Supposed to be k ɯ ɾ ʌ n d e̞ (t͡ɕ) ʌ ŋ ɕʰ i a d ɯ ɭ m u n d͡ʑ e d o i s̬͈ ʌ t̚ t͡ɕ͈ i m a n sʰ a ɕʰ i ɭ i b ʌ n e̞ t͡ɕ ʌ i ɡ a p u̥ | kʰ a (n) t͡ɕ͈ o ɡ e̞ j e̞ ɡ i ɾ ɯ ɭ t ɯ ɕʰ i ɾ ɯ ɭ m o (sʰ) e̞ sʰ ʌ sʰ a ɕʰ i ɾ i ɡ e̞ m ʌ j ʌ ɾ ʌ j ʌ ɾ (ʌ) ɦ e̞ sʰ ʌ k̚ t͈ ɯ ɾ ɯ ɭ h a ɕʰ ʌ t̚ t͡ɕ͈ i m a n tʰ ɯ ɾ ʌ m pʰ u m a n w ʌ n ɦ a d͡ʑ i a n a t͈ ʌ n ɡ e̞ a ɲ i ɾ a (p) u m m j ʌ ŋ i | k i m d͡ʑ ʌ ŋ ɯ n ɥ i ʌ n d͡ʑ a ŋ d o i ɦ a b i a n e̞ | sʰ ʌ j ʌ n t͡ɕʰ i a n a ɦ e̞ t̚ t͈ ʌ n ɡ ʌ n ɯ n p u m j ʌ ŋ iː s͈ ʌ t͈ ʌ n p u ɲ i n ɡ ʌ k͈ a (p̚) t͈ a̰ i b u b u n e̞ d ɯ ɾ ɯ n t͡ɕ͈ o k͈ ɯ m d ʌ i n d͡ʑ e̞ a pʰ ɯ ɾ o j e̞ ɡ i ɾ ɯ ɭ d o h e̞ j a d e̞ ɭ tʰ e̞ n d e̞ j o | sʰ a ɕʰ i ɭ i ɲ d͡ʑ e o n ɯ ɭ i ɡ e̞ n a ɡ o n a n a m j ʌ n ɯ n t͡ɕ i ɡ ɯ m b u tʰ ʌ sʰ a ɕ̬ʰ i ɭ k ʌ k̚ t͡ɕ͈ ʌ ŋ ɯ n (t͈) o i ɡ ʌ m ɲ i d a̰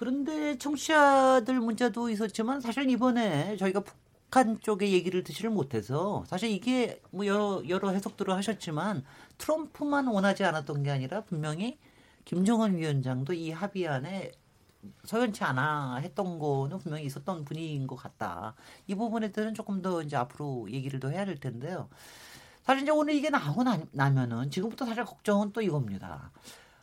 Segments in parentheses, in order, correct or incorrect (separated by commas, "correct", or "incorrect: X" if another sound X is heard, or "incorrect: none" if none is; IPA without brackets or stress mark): incorrect: t͡ɕʰ, correct, incorrect: tʰ, correct, correct, incorrect: t̚, correct